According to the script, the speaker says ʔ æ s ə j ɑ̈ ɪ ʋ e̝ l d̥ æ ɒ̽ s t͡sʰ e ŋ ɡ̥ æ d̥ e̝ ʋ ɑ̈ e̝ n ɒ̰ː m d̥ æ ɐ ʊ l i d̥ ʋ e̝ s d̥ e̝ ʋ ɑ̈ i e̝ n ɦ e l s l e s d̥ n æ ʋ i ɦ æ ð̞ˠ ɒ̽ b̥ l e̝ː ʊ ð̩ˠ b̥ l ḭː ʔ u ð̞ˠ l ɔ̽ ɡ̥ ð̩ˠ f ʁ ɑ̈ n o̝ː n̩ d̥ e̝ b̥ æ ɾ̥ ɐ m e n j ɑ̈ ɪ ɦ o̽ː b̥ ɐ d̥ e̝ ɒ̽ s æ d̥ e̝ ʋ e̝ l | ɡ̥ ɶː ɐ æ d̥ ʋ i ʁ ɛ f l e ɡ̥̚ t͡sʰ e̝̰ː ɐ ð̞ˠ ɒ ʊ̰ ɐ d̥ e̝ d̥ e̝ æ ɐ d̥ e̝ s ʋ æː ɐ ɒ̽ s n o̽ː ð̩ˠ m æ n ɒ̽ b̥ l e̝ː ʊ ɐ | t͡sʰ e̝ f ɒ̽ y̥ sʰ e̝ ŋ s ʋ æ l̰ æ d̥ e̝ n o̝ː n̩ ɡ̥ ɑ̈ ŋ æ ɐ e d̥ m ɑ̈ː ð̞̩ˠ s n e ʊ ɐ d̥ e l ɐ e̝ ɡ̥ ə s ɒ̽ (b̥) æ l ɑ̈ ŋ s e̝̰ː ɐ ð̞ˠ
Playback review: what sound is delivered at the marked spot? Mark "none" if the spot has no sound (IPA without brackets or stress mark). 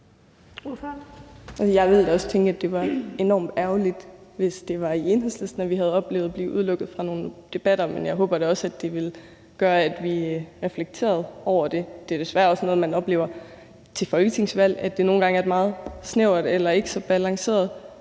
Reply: b̥